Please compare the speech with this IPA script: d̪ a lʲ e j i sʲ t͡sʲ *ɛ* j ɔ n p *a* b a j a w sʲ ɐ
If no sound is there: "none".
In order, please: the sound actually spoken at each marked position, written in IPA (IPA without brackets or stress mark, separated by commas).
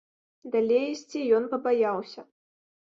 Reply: i, ɐ